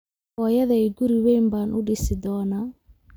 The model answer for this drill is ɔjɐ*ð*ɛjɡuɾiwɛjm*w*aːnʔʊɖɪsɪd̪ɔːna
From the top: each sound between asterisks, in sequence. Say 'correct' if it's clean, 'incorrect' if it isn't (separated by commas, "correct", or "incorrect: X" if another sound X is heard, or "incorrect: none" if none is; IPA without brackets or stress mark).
correct, incorrect: b